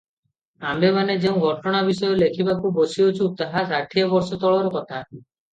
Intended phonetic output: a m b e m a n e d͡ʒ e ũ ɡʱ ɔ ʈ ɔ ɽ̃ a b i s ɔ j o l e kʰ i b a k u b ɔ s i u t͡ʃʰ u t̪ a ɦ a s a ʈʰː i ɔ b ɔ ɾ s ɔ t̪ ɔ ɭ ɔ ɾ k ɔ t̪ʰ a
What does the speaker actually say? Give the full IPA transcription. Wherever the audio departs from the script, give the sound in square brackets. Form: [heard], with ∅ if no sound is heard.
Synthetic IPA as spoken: a m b e m a n e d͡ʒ e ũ ɡʱ ɔ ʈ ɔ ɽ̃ a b i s ɔ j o l e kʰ i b a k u b [o] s i [o] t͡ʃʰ u t̪ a ɦ a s a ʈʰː i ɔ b ɔ ɾ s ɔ t̪ ɔ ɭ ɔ ɾ k ɔ t̪ʰ a